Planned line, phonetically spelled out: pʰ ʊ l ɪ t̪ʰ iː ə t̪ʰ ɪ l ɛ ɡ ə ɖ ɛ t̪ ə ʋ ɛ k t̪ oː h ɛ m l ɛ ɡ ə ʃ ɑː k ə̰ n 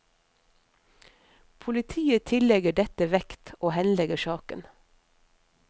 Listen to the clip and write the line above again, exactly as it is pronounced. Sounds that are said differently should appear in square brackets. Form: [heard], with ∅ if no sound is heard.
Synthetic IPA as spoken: pʰ ʊ l ɪ t̪ʰ iː ə t̪ʰ ɪ l ɛ ɡ ə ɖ ɛ t̪ ə ʋ ɛ k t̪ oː h ɛ [n] l ɛ ɡ ə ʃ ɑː k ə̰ n